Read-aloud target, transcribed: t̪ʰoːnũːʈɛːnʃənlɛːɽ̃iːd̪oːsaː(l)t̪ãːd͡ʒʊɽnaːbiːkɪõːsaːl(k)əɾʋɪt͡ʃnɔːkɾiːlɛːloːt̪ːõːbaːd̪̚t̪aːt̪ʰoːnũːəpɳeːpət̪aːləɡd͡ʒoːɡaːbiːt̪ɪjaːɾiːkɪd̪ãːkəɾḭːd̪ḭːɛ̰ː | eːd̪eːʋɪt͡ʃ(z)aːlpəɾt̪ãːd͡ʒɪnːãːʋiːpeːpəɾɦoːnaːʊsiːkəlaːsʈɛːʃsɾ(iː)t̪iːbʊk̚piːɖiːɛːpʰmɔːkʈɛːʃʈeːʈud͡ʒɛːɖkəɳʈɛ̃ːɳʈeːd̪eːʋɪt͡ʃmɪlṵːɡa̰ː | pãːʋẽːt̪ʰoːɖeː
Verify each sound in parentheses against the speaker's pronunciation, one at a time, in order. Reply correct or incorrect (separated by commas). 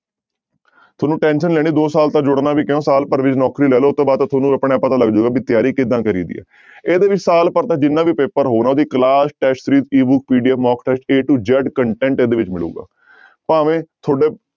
correct, incorrect, incorrect, correct